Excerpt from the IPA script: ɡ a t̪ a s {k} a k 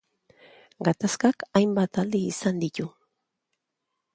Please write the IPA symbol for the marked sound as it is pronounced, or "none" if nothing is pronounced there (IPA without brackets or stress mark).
k